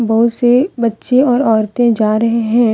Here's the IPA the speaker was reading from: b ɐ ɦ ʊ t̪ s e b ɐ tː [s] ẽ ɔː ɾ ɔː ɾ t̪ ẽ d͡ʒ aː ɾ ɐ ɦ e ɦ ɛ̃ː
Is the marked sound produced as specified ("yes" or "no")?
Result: no